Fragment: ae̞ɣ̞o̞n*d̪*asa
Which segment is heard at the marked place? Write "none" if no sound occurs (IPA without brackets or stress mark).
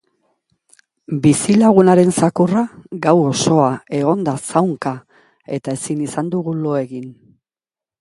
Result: d̪